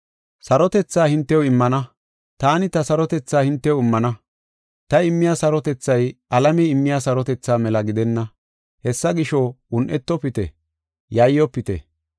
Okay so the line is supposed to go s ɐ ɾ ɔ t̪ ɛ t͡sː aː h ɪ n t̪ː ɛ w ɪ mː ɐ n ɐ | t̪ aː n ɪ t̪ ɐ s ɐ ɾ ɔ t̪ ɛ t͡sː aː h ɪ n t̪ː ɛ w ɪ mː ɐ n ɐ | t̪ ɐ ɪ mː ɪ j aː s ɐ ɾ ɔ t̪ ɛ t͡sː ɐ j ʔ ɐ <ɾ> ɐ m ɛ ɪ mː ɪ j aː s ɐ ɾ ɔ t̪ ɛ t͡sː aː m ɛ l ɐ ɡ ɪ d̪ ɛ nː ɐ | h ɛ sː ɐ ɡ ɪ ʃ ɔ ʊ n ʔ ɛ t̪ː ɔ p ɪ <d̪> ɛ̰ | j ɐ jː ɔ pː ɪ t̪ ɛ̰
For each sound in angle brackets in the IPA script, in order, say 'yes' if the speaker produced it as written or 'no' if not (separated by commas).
no, no